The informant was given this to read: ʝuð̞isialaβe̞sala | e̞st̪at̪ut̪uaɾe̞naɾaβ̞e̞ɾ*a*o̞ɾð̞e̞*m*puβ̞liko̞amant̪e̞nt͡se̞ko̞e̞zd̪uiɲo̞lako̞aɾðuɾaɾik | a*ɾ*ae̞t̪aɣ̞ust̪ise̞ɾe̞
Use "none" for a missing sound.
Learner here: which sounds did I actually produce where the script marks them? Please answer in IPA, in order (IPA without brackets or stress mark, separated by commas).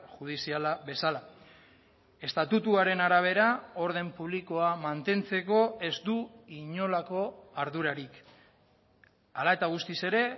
a, m, l